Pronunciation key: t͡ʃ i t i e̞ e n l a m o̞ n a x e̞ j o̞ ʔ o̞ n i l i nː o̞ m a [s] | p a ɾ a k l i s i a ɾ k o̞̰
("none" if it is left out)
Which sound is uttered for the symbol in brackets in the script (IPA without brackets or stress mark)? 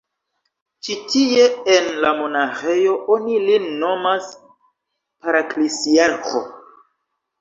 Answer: s